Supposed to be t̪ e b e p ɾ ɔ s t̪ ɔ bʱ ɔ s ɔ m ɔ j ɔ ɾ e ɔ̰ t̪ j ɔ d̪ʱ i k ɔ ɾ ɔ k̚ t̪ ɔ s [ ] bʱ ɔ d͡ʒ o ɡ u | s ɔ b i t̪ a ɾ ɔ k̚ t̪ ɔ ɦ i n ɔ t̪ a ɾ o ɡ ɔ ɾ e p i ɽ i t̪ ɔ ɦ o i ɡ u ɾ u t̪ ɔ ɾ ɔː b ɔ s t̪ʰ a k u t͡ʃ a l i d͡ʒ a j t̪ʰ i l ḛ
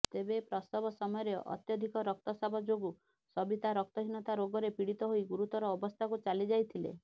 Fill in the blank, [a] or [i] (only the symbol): a